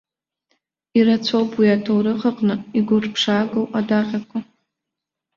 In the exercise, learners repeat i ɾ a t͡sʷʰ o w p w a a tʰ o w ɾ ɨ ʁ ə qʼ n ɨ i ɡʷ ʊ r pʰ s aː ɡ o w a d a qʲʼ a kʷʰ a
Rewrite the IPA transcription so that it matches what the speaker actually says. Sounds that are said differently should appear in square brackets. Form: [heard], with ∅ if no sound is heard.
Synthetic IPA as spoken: i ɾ a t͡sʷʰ o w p w [i] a tʰ o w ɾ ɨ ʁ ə qʼ n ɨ i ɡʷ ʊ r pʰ [ʂ] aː ɡ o w a d a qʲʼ a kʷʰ a